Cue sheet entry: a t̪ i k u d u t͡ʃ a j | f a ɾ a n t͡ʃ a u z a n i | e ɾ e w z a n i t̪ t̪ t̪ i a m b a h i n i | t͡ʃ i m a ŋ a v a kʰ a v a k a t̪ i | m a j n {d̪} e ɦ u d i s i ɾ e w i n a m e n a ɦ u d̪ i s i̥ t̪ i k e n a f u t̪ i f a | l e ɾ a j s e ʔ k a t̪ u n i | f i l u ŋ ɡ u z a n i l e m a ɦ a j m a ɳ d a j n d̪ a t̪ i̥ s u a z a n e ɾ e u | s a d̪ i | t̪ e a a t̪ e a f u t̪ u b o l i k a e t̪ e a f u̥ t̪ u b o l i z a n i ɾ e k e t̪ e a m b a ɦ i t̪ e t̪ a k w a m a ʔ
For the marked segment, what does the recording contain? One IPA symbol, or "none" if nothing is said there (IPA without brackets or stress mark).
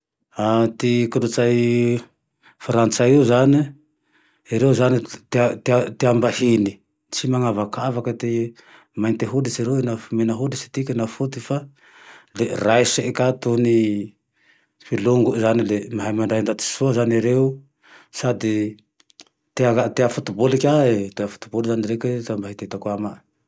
t̪